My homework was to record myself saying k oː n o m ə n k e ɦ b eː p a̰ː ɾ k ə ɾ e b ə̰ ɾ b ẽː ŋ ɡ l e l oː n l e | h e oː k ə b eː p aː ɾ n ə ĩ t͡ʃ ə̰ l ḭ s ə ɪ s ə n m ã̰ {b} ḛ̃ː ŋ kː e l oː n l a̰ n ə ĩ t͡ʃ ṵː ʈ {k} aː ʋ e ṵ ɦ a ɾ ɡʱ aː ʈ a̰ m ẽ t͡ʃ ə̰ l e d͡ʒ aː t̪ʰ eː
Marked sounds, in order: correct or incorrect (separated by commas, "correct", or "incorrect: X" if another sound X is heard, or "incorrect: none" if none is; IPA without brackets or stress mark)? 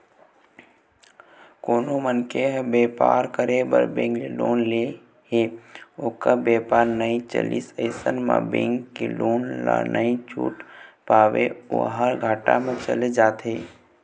correct, incorrect: p